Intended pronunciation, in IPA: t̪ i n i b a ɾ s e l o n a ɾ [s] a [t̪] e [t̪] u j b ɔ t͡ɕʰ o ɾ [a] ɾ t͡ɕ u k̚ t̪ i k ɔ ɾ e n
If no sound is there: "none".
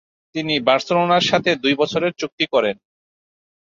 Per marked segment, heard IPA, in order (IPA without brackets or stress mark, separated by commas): ʃ, t̪ʰ, d̪, e